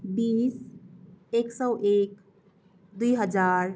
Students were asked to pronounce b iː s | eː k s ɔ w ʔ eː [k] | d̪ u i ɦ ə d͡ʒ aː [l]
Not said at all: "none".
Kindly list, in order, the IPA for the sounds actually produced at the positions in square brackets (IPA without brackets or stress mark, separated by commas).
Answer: k, ɾ